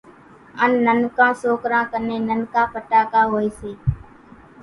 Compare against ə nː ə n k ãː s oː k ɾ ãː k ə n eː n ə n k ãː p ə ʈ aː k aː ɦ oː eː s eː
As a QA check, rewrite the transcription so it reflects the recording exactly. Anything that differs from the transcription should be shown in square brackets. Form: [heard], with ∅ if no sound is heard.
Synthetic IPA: ə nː ə n k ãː s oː k ɾ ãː k ə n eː n ə n k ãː p ə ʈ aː k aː ɦ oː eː s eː